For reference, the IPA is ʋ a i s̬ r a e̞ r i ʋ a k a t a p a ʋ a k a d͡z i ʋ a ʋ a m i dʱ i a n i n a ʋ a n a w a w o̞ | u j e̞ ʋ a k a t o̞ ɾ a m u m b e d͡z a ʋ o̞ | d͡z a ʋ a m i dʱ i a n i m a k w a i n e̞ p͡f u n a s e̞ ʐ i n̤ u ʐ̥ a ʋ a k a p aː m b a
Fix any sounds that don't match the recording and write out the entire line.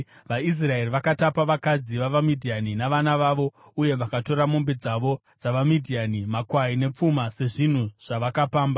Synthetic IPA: ʋ a i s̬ r a e̞ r i ʋ a k a t a p a ʋ a k a d͡z i ʋ a ʋ a m i dʱ i a n i n a ʋ a n a ʋ a ʋ o̞ | u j e̞ ʋ a k a t o̞ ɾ a m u m b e d͡z a ʋ o̞ | d͡z a ʋ a m i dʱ i a n i m a k w a i n e̞ p͡f u m a s e̞ ʐ i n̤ u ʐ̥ a ʋ a k a p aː m b a